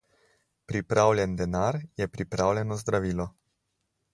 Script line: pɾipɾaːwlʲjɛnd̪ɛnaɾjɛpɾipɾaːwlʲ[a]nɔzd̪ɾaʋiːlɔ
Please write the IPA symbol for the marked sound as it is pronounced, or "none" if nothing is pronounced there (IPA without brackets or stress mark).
ɛ